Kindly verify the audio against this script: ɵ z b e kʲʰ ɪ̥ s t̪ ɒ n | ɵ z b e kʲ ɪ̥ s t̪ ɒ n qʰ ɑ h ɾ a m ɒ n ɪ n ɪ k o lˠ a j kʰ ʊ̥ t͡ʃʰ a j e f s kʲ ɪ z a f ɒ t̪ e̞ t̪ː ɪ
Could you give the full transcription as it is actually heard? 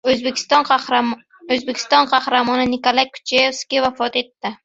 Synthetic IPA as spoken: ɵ z b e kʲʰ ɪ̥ s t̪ ɒ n | ɵ z b e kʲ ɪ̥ s t̪ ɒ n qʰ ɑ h ɾ a m ɒ n ɪ n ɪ k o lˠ a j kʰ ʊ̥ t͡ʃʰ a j e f s kʲ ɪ v a f ɒ t̪ e̞ t̪ː ɪ